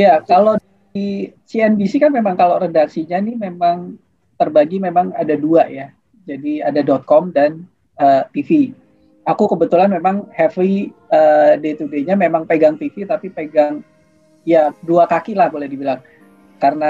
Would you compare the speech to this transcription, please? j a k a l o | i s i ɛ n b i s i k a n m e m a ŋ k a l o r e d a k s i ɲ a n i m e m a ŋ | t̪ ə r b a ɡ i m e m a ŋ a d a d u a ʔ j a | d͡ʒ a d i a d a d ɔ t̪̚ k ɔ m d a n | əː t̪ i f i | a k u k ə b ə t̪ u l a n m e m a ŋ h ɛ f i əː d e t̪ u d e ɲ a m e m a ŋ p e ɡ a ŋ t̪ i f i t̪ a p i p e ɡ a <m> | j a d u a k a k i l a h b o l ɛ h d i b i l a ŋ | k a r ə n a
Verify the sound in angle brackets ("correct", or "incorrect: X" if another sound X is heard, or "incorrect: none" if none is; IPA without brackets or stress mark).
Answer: incorrect: ŋ